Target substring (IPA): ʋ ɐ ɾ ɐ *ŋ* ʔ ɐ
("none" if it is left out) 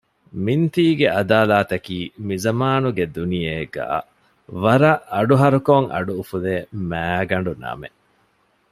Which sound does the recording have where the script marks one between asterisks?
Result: none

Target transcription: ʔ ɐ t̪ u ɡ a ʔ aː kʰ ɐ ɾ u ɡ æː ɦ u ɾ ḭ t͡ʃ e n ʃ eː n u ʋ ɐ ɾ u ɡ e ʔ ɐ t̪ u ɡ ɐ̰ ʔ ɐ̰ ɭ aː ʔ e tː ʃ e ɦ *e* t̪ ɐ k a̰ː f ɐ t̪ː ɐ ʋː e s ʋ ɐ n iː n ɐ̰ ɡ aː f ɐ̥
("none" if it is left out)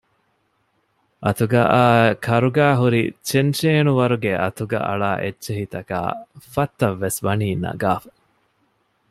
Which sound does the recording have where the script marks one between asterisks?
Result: i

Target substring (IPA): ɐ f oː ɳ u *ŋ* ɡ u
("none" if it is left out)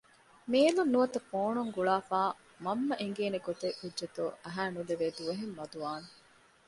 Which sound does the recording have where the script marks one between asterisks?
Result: ŋ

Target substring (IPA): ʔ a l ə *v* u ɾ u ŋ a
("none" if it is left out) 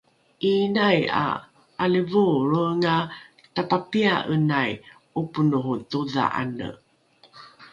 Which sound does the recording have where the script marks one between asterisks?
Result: v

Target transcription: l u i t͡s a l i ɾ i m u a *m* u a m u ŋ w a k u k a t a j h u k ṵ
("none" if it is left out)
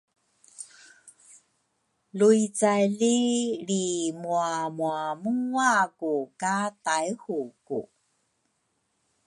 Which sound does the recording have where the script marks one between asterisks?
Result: m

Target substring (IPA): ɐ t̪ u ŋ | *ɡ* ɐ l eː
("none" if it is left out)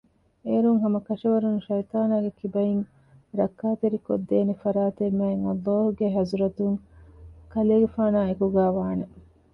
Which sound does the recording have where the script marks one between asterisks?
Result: k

